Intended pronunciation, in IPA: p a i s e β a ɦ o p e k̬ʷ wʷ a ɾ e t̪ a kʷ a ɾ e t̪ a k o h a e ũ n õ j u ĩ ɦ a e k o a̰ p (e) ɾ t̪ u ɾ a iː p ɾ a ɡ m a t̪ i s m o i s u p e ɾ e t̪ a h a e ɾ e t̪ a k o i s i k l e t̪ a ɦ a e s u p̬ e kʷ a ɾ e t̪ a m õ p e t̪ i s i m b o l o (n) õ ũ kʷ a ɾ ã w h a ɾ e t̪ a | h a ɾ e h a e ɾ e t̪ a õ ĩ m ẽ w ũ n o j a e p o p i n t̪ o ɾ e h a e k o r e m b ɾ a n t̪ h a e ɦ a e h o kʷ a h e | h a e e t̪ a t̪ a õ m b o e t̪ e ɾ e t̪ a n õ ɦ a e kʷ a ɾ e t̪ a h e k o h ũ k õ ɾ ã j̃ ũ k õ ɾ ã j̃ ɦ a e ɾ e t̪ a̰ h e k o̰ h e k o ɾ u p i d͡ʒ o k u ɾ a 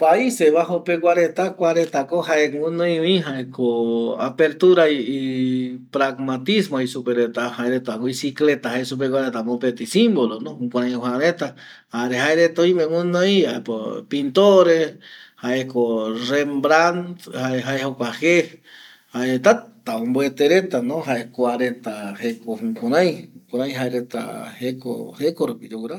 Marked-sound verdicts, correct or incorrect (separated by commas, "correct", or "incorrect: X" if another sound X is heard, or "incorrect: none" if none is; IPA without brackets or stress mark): correct, correct